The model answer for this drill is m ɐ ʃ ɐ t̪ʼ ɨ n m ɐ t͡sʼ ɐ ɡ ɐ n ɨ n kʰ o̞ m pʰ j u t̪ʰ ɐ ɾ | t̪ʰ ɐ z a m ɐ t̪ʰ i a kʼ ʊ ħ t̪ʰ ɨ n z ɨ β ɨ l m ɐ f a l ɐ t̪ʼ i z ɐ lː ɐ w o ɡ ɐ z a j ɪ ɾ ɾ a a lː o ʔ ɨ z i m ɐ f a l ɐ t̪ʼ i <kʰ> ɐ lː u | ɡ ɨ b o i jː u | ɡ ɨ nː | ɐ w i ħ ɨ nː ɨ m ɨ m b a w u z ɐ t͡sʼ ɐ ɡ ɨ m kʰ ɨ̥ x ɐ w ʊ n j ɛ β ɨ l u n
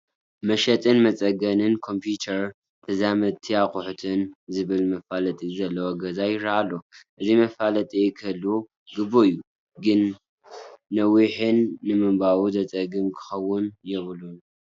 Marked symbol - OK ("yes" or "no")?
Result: yes